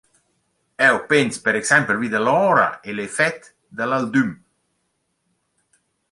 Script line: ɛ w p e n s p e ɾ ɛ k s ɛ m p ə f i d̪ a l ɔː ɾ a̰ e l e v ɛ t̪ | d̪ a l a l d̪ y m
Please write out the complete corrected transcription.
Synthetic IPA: ɛ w p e n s p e ɾ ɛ k s ɛ m p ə v i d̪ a l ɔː ɾ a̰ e l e f ɛ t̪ | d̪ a l a l d̪ y m